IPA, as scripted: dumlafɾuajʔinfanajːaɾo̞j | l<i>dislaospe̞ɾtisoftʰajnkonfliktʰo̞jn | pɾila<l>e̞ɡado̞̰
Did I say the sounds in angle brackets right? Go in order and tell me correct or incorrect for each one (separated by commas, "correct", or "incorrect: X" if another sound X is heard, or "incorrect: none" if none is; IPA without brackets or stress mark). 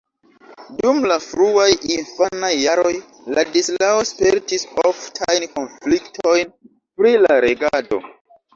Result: incorrect: a, incorrect: ɾ